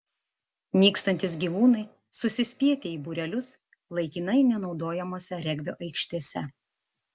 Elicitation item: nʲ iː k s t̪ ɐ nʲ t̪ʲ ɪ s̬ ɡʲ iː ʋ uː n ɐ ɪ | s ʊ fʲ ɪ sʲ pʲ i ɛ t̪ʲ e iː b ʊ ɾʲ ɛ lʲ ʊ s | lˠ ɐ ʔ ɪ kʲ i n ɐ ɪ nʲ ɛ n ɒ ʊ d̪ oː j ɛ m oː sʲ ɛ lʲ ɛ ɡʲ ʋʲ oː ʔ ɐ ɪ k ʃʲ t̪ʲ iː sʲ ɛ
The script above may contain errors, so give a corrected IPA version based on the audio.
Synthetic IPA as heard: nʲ iː k s t̪ ɐ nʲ t̪ʲ ɪ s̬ ɡʲ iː ʋ uː n ɐ ɪ | s ʊ sʲ ɪ sʲ pʲ i ɛ t̪ʲ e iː b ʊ ɾʲ ɛ lʲ ʊ s | lˠ ɐ ɪ kʲ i n ɐ ɪ nʲ ɛ n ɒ ʊ d̪ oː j ɛ m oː sʲ ɛ ɾʲ ɛ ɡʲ ʋʲ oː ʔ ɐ ɪ k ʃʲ t̪ʲ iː sʲ ɛ